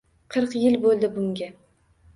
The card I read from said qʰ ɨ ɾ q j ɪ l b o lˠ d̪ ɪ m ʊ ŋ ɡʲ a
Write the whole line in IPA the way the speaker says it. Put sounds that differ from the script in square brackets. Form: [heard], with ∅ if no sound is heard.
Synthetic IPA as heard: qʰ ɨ ɾ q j ɪ l b o lˠ d̪ ɪ [b] ʊ ŋ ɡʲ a